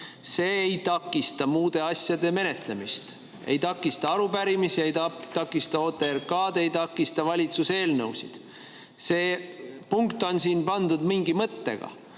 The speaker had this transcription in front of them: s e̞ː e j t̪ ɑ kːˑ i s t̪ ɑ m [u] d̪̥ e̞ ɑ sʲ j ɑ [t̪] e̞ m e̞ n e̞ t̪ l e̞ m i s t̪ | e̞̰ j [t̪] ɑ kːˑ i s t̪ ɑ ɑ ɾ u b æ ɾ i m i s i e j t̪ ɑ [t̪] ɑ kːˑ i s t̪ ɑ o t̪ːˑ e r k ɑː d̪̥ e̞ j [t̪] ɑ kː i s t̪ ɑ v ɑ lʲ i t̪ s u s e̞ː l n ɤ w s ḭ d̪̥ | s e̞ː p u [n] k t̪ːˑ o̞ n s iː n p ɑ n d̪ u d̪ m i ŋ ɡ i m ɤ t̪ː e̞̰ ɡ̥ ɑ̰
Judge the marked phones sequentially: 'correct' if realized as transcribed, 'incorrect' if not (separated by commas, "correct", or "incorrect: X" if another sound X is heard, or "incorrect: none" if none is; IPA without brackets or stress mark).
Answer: incorrect: uː, incorrect: d̪, correct, correct, correct, incorrect: ŋ